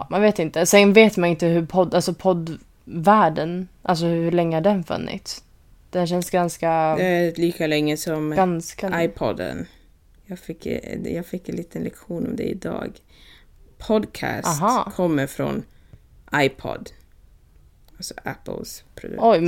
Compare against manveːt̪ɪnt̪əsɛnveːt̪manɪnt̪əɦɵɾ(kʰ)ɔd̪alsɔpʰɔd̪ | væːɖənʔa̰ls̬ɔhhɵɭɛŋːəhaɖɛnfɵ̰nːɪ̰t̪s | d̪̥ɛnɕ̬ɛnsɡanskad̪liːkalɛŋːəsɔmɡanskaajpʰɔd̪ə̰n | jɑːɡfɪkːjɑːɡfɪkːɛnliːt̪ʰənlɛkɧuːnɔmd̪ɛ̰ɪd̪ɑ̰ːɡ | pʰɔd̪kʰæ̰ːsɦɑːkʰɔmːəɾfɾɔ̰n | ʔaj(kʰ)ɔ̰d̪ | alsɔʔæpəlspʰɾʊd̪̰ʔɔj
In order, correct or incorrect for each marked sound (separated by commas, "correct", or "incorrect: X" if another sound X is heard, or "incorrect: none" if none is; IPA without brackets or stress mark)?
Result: incorrect: pʰ, incorrect: pʰ